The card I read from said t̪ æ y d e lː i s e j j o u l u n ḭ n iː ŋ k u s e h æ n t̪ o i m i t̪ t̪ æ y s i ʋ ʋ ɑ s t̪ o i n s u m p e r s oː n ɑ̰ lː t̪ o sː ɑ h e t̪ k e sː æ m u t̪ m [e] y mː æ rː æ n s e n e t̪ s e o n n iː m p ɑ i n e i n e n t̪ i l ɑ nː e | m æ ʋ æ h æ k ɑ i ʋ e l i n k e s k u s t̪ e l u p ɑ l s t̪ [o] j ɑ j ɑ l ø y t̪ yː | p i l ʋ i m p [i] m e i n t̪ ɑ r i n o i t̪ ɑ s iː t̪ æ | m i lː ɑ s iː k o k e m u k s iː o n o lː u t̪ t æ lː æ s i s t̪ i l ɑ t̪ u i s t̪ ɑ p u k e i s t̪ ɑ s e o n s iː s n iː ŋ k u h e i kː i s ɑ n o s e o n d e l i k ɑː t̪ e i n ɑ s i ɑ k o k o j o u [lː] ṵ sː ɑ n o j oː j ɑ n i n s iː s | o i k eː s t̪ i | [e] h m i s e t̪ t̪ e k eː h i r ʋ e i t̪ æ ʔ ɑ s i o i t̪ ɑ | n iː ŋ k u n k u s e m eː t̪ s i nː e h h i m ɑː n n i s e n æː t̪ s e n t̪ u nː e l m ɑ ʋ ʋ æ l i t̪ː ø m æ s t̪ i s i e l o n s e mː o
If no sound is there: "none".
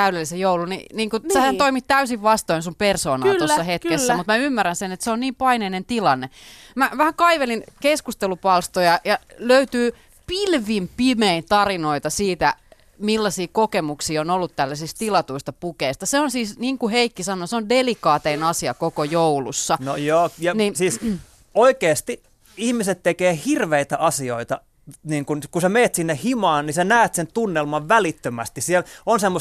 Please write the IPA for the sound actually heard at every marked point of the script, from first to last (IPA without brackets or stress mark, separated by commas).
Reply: æ, o, i, l, i